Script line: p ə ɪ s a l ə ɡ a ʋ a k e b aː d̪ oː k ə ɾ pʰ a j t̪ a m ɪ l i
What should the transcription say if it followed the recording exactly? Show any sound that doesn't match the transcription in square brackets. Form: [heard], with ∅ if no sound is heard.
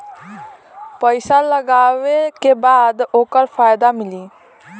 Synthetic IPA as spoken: p ə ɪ s a l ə ɡ a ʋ [e] k e b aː d̪ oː k ə ɾ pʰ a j [d̪] a m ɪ l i